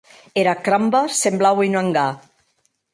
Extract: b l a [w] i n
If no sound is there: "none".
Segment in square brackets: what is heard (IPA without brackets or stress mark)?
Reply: w